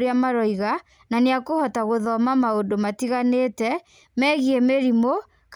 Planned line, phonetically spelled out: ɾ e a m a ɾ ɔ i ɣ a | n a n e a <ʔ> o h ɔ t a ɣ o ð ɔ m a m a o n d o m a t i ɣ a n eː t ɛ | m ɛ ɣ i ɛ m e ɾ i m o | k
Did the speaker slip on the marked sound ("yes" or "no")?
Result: yes